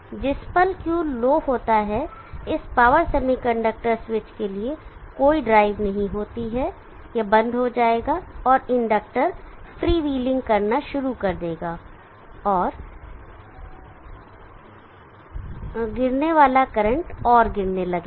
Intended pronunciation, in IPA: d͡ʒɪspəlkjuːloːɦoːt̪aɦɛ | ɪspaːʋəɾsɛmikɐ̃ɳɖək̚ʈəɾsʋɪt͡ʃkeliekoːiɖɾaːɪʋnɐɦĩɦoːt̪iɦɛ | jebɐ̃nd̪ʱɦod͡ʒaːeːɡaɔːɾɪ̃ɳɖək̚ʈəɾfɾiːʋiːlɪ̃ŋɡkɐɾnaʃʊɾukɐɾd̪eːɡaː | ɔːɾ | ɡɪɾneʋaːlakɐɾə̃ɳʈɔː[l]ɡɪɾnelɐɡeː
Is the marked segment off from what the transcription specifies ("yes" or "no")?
yes